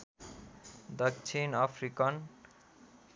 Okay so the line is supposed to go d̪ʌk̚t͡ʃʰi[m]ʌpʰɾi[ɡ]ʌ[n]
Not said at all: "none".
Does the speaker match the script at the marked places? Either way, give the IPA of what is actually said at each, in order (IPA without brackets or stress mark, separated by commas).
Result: n, k, n